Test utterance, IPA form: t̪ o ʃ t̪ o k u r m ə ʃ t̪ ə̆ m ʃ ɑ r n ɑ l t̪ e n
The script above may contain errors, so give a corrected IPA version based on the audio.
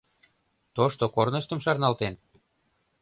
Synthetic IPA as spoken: t̪ o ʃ t̪ o k o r n ə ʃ t̪ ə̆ m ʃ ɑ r n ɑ l t̪ e n

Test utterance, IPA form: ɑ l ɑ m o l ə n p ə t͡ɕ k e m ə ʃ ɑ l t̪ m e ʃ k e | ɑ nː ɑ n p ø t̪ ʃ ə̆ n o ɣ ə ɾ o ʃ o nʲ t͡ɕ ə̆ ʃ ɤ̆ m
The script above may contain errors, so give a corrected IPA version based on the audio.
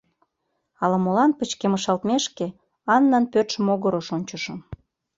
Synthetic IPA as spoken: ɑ l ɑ m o l ɑ n p ə t͡ɕ k e m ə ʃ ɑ l t̪ m e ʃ k e | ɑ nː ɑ n p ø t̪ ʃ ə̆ m o ɣ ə ɾ o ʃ o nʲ t͡ɕ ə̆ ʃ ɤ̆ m

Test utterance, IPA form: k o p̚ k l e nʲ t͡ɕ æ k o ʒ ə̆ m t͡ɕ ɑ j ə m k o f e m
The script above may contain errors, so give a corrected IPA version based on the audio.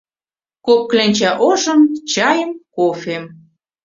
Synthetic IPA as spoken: k o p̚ k l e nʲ t͡ɕ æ ʔ o ʒ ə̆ m t͡ɕ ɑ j ə m k o f e m

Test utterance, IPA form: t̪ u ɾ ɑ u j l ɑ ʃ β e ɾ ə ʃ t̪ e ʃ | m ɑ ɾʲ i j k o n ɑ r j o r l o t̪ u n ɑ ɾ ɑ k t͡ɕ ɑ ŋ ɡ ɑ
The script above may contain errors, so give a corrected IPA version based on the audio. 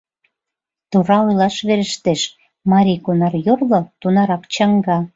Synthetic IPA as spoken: t̪ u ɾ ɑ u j l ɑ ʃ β e ɾ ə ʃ t̪ e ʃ | m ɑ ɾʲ i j k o n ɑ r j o r l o t̪ u n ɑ ɾ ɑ k t͡ɕ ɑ ŋ ɡ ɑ

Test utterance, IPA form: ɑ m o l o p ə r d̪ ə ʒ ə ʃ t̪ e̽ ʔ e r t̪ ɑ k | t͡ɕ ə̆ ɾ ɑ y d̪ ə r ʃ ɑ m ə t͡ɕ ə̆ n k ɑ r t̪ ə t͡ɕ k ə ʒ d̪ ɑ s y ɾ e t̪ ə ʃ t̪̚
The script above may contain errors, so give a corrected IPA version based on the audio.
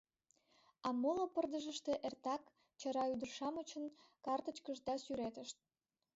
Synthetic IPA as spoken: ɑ m o l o p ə r d̪ ə ʒ ə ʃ t̪ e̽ ʔ e r t̪ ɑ k | t͡ɕ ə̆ ɾ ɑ y d̪ ə r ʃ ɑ m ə t͡ɕ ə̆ n k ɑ r t̪ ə t͡ɕ k ə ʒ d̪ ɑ s y ɾ e t̪ ə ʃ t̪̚

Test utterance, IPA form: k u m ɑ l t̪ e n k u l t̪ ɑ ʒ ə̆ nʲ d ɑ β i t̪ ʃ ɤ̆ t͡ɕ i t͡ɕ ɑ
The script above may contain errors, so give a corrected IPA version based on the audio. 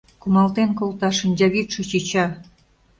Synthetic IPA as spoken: k u m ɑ l t̪ e n k o l t̪ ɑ ʃ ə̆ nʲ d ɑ β i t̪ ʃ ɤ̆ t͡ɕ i t͡ɕ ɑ

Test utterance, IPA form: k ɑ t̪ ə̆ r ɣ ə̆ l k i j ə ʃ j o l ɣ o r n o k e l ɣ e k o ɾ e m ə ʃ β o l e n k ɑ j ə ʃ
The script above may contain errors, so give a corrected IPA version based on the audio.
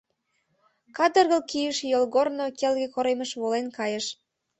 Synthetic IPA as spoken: k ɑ d̪ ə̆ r ɣ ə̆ l k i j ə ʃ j o l ɣ o r n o k e l ɣ e k o ɾ e m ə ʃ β o l e n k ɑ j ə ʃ

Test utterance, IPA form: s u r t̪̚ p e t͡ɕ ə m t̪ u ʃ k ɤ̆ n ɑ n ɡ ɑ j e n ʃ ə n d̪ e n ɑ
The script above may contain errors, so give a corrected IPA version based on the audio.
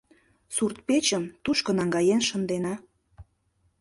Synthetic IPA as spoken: s u r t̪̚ p e t͡ɕ ə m t̪ u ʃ k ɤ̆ n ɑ ŋ ɡ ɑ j e n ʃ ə n d̪ e n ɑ

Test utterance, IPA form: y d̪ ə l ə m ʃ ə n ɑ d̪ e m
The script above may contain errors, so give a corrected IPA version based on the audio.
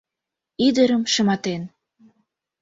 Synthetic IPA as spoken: i d̪ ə ɾ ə m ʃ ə m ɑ t̪ e n

